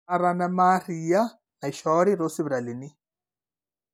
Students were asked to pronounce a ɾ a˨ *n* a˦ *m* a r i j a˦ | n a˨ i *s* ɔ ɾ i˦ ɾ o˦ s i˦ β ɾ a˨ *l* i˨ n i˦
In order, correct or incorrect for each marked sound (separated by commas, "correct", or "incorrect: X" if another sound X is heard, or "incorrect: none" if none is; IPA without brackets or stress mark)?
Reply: correct, correct, incorrect: ʃ, correct